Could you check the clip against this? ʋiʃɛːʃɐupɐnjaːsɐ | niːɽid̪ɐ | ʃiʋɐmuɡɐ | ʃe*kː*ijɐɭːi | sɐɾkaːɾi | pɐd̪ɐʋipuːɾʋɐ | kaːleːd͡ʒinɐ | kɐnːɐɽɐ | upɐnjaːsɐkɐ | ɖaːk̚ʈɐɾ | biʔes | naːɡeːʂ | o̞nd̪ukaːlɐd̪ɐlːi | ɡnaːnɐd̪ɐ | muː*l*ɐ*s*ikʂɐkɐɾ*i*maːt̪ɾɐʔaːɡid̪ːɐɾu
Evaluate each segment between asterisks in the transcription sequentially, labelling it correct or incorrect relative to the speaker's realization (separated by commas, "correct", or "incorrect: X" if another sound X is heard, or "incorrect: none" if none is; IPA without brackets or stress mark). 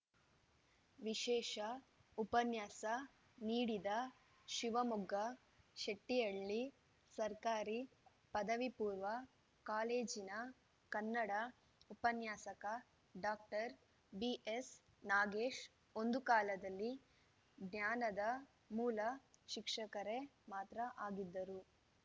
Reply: incorrect: ʈː, correct, incorrect: ʃ, incorrect: e